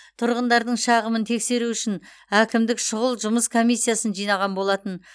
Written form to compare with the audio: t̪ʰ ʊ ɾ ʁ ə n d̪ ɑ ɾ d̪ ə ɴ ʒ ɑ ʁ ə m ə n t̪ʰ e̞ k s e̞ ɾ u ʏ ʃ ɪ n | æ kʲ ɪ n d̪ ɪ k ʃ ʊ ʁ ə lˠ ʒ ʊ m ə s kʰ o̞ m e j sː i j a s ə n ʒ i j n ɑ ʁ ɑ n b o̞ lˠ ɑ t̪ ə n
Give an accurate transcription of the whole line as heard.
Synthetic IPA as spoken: t̪ʰ ʊ ɾ ʁ ə n d̪ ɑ ɾ d̪ ə ɴ ʃ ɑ ʁ ə m ə n t̪ʰ e̞ k s e̞ ɾ u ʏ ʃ ɪ n | æ kʲ ɪ m d̪ ɪ k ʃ ʊ ʁ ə lˠ ʒ ʊ m ə s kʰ o̞ m i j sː i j a s ə n ʒ i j n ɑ ʁ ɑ n b o̞ lˠ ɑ t̪ ə n